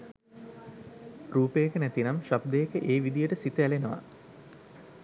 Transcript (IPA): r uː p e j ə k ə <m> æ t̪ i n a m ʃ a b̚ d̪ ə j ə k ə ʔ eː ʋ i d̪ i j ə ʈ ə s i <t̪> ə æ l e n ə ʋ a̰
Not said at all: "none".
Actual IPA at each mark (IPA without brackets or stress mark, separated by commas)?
n, t̪